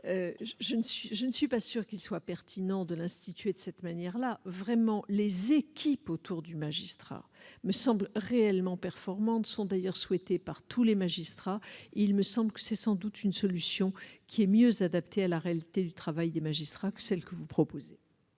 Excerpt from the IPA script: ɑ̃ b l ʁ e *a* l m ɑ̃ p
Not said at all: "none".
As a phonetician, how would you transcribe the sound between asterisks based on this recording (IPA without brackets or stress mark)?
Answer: ɛ